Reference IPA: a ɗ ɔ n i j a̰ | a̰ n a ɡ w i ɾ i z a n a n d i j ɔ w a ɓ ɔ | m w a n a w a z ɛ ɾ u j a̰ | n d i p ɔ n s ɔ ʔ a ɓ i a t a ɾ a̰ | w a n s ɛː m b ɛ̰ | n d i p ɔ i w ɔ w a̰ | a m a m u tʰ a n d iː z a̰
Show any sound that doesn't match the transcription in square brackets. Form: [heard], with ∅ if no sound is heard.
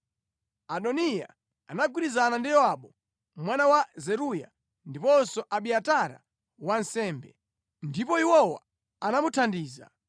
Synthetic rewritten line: a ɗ ɔ n i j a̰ | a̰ n a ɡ w i ɾ i z a n a n d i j ɔ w a ɓ ɔ | m w a n a w a z ɛ ɾ u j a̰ | n d i p ɔ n s ɔ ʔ a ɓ i a t a ɾ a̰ | w a n s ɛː m b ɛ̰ | n d i p ɔ i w ɔ w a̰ | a [n] a m u tʰ a n d iː z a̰